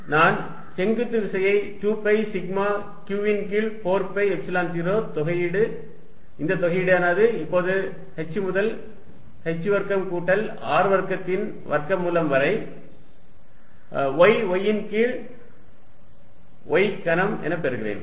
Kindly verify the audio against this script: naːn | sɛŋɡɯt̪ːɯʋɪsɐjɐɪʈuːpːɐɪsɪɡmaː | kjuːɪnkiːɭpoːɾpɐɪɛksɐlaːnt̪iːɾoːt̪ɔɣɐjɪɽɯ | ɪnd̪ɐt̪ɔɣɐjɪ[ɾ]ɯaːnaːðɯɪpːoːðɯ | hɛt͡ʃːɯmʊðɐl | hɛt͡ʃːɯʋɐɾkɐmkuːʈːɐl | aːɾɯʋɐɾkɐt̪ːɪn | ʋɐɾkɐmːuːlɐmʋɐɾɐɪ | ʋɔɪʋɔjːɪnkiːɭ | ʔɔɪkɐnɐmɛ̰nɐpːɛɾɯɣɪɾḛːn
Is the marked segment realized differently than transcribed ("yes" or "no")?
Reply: yes